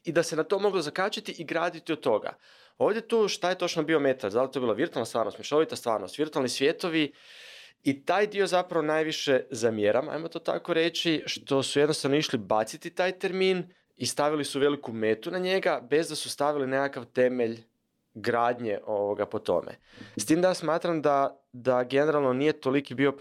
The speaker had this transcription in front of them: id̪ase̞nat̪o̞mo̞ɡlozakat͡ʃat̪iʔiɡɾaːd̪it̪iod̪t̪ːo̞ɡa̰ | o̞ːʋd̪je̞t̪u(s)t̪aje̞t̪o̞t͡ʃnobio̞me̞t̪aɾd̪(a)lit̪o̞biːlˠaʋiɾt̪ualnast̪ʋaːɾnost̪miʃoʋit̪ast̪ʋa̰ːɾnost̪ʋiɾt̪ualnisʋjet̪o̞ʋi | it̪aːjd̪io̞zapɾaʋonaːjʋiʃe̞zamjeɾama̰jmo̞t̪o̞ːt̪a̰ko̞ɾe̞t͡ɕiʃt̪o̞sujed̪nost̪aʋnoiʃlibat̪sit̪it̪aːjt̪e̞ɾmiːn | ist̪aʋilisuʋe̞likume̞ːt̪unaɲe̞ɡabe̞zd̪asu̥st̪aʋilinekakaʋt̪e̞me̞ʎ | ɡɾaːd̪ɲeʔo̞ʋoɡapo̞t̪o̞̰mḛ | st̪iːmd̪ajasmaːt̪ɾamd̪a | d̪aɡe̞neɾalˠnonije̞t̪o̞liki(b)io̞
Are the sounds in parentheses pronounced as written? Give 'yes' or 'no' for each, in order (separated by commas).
no, yes, yes